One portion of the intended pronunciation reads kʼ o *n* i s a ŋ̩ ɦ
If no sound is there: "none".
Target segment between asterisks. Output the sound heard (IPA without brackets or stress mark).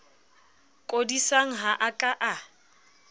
d